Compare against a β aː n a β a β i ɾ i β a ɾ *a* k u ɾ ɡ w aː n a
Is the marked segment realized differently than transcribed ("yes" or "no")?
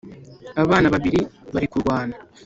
yes